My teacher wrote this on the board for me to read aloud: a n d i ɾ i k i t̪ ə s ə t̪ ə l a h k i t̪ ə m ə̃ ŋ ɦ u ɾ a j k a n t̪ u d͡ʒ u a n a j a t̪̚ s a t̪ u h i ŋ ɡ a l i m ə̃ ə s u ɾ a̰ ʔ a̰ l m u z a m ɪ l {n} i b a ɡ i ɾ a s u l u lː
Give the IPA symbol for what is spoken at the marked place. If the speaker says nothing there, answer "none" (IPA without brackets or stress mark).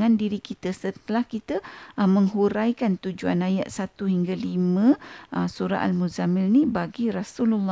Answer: n